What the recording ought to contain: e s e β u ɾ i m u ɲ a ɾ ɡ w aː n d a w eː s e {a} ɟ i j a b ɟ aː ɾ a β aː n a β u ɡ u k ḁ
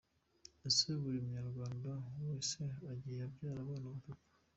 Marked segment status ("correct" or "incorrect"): correct